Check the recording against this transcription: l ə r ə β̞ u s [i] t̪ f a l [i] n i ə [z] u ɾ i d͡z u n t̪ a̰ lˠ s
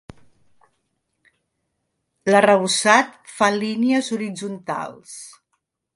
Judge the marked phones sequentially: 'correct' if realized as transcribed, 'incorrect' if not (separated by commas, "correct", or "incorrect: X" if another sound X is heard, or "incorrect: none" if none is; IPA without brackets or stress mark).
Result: incorrect: a, correct, correct